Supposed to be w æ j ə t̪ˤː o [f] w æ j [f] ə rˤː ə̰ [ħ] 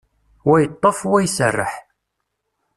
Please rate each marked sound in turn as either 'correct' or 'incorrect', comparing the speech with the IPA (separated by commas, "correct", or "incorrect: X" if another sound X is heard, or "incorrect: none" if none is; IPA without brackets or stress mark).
correct, incorrect: s, correct